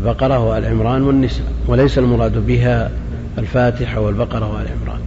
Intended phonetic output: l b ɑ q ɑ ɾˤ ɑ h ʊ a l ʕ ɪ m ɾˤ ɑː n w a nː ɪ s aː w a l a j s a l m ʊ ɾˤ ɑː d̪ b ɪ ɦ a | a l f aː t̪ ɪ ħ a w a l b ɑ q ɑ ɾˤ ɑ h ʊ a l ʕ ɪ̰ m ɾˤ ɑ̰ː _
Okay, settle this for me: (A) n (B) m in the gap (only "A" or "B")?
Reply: A